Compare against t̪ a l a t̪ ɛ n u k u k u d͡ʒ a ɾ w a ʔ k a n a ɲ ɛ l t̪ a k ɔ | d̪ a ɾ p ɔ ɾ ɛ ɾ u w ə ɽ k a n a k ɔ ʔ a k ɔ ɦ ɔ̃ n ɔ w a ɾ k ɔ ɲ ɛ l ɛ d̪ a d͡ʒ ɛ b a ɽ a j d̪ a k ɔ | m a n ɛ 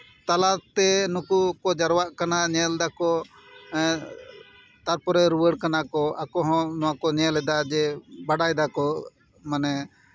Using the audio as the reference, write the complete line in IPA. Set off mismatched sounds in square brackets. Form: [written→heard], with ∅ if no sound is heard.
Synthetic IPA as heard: t̪ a l a t̪ ɛ n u k u k [u→ɔ] d͡ʒ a ɾ w a ʔ k a n a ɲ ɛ l [t̪→d̪] a k ɔ | [d̪→t̪] a ɾ p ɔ ɾ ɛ ɾ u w ə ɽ k a n a k ɔ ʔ a k ɔ ɦ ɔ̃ n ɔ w a [ɾ→∅] k ɔ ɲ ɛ l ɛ d̪ a d͡ʒ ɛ b a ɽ a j d̪ a k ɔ | m a n ɛ